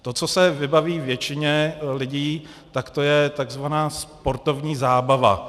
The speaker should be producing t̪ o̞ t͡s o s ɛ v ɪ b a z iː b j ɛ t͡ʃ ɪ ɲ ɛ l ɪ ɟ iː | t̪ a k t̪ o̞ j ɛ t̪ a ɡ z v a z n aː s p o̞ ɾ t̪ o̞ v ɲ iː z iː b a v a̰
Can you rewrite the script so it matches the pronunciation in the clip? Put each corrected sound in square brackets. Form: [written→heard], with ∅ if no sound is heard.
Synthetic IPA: t̪ o̞ t͡s o s ɛ v ɪ b a [z→v] iː [b→v] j ɛ t͡ʃ ɪ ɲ ɛ l ɪ ɟ iː | t̪ a k t̪ o̞ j ɛ t̪ a ɡ z v a [z→∅] n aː s p o̞ ɾ t̪ o̞ v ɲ iː z [iː→aː] b a v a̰